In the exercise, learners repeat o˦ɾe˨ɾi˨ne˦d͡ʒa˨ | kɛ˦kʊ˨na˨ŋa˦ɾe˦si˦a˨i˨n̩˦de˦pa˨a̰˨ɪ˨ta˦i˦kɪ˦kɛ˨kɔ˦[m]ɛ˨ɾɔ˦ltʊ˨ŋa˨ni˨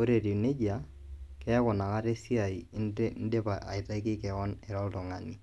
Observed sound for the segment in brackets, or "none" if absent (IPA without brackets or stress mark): n